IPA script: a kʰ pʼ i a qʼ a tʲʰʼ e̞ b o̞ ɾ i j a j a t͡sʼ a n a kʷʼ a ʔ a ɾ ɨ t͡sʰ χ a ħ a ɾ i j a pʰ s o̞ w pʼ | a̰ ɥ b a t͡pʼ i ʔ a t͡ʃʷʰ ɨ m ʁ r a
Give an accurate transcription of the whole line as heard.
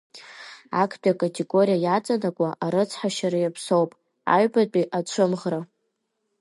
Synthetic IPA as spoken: a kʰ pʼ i a kʼ a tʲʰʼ e̞ ɡ o̞ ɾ i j a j a t͡sʼ a n a kʷʼ a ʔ a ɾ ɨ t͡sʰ ħ a ʃ a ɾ a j a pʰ s o̞ w pʼ | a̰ ɥ b a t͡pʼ i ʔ a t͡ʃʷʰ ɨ m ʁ r a